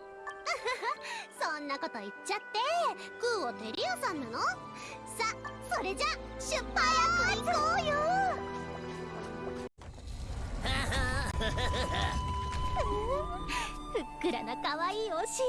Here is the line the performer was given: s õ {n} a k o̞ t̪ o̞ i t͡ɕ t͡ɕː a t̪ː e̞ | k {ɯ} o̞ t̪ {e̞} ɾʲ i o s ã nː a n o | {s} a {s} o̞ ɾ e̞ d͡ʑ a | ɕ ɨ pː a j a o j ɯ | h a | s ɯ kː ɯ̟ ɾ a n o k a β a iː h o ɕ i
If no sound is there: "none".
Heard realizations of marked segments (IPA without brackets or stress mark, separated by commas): nː, ɯː, e̞, s, s